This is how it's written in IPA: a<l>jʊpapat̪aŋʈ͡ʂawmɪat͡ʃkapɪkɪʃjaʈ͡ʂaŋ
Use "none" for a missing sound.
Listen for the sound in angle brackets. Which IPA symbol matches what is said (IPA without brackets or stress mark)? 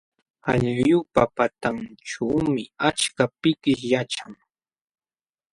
ʎ